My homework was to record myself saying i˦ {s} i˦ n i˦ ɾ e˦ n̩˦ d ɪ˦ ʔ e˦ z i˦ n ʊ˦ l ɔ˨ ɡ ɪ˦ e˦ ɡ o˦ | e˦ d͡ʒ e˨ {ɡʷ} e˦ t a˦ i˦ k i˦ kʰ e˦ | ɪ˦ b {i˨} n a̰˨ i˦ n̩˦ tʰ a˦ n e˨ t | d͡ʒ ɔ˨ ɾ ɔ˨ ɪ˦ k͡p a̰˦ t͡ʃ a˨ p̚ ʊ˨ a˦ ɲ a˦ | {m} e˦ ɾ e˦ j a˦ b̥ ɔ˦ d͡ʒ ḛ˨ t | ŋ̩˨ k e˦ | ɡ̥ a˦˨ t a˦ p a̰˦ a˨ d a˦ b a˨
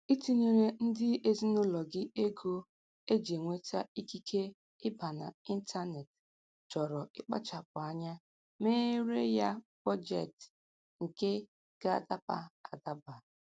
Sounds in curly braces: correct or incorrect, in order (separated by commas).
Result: incorrect, incorrect, incorrect, correct